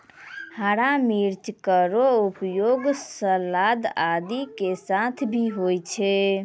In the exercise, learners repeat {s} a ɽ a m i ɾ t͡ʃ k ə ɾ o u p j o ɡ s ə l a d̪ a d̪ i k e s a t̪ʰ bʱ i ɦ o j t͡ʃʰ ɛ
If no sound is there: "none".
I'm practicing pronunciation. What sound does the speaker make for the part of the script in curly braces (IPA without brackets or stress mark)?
h